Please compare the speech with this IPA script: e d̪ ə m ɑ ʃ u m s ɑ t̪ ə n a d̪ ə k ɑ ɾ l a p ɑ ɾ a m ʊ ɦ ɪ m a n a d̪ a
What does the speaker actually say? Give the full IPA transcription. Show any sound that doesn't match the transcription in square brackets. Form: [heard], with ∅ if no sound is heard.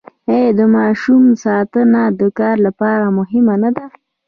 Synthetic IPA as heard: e d̪ ə m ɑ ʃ u m s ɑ t̪ ə n a d̪ ə k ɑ ɾ l a p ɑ ɾ a m ʊ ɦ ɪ m a n a d̪ a